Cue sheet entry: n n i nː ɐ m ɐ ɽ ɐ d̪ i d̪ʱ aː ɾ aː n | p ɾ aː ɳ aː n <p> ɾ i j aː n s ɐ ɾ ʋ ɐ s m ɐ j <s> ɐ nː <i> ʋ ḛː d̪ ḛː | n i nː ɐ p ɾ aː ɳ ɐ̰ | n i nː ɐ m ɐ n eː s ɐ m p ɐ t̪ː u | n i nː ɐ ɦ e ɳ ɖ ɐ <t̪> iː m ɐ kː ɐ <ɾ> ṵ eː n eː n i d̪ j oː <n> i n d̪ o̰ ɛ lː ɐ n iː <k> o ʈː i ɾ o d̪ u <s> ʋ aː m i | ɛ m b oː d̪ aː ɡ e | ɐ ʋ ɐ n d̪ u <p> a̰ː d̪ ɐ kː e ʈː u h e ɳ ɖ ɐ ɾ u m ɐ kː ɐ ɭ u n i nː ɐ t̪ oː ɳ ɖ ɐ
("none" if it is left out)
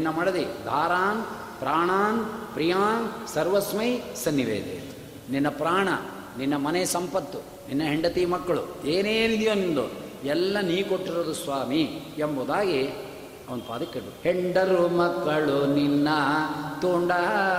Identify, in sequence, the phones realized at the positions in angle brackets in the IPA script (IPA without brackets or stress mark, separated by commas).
p, s, i, t̪, ɭ, n, k, s, p